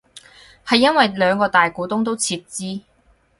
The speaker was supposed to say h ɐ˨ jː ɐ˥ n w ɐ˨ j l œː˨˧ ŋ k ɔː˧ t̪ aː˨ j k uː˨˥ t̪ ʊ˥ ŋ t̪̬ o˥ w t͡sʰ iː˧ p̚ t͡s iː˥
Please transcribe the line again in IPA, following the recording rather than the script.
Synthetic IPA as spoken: h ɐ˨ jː ɐ˥ n w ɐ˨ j l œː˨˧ ŋ k ɔː˧ t̪ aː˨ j k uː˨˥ t̪ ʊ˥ ŋ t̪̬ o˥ w t͡sʰ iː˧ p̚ t͡s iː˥